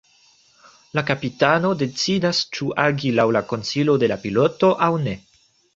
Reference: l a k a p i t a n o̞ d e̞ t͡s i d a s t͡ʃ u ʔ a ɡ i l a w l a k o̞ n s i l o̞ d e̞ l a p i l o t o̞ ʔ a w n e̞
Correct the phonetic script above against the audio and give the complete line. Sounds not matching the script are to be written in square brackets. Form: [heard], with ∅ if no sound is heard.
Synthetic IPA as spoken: l a k a p i t a n o̞ d e̞ t͡s i d a s t͡ʃ u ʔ a ɡ i l a w l a k o̞ n s i l o̞ d e̞ l a p i l o t o̞ ʔ a w n e̞

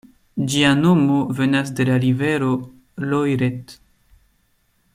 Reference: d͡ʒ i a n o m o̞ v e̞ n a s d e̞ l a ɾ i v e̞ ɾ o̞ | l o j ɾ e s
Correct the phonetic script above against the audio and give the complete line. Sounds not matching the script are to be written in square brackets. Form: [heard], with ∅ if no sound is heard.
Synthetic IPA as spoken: d͡ʒ i a n o m o̞ v e̞ n a s d e̞ l a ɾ i v e̞ ɾ o̞ | l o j ɾ e [t]

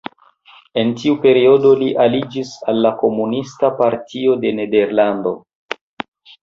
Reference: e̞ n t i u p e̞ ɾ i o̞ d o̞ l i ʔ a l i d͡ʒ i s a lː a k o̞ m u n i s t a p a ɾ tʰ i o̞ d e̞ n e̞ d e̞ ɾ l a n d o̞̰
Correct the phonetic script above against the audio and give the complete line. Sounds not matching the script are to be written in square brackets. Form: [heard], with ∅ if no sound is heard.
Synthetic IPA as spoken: e̞ n t i u p e̞ ɾ i o̞ d o̞ l i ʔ a l i d͡ʒ i s a lː a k o̞ m u n i s t a p a ɾ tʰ i o̞ d e̞ n e̞ d e̞ ɾ l a n d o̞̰

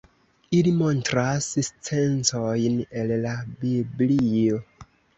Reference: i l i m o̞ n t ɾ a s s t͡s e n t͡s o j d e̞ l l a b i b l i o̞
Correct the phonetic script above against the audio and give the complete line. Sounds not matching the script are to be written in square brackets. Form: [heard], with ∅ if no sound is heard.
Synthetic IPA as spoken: i l i m o̞ n t ɾ a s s t͡s e n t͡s o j [n] e̞ l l a b i b l i o̞

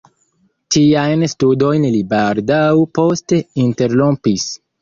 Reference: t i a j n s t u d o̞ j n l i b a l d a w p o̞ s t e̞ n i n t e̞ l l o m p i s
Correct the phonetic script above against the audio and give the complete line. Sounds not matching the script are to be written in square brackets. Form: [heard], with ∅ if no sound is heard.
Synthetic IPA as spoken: t i a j n s t u d o̞ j n l i b a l d a w p o̞ s t e̞ [∅] i n t e̞ [ɾ] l o m p i s

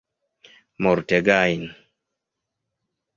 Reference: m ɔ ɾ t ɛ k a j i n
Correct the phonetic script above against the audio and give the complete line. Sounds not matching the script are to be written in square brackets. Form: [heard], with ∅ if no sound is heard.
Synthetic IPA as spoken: m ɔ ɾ t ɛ [ɡ] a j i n

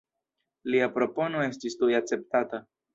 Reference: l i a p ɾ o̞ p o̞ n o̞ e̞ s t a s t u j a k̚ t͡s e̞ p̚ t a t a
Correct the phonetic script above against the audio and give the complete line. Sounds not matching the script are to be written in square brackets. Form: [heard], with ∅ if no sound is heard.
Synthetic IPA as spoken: l i a p ɾ o̞ p o̞ n o̞ e̞ s t [i] s t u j a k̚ t͡s e̞ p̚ t a t a

